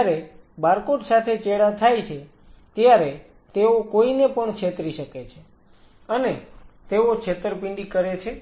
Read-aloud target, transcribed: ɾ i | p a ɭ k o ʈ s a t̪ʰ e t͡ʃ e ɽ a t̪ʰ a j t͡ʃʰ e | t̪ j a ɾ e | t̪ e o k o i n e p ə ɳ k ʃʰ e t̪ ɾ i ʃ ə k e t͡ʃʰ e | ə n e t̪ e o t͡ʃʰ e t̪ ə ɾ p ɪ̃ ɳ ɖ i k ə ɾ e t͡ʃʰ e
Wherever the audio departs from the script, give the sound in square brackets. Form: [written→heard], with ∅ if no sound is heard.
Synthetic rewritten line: ɾ [i→e] | [p→b] a [ɭ→ɾ] k o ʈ s a t̪ʰ e t͡ʃ e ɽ a t̪ʰ a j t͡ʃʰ e | t̪ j a ɾ e | t̪ e o k o i n e p ə ɳ k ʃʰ e t̪ ɾ i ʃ ə k e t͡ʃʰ e | ə n e t̪ e o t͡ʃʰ e t̪ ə ɾ p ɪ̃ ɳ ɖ i k ə ɾ e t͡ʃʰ e